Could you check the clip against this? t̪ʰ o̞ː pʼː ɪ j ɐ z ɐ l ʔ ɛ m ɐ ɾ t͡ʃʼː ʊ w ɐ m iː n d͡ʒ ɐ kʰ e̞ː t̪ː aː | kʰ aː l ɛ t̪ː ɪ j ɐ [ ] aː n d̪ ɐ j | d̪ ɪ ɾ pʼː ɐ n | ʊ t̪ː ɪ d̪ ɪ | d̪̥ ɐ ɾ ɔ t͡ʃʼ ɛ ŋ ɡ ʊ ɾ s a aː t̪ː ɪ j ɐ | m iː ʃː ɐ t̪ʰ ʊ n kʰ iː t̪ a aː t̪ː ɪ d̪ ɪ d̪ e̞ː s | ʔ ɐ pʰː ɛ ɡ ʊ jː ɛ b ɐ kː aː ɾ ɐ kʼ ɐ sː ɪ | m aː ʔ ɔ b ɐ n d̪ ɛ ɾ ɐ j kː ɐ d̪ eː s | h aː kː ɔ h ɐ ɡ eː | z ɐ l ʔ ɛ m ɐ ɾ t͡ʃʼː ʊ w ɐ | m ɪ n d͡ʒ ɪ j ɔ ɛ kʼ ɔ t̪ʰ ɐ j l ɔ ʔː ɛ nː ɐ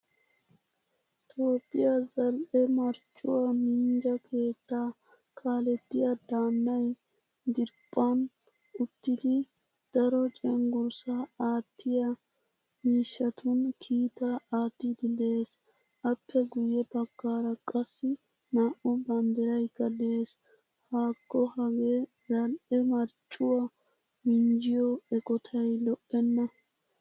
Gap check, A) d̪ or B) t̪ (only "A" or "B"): A